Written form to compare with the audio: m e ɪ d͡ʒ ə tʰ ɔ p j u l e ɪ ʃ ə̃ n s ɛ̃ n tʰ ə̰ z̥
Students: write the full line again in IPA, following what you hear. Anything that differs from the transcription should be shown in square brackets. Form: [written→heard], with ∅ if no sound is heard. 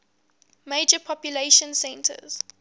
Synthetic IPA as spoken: m e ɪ d͡ʒ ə [tʰ→pʰ] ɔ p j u l e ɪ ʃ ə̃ n s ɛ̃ n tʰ ə̰ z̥